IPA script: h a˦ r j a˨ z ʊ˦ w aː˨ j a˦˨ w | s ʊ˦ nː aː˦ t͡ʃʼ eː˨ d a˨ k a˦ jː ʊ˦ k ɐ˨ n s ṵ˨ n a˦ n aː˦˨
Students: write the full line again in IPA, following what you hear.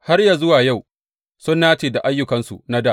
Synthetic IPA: h a˦ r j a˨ z ʊ˦ w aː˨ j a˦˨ w | s ʊ˦ nː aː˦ t͡ʃ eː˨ d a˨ ʔ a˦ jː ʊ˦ k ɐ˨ n s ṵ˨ n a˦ d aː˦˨